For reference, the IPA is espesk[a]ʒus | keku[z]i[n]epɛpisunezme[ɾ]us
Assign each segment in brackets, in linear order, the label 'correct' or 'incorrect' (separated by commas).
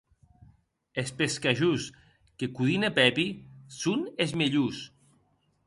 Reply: correct, incorrect, correct, incorrect